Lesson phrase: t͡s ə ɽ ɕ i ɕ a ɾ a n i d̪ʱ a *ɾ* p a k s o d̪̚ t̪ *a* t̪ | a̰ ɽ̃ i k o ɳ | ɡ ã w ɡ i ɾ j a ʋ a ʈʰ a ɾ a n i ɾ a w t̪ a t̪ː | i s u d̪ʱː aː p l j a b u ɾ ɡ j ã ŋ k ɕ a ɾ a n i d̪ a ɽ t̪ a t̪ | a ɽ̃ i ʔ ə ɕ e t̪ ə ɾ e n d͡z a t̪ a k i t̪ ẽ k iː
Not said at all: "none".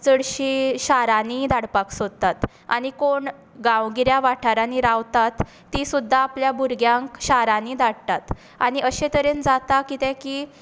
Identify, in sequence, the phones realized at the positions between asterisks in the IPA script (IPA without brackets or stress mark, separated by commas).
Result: ɽ, a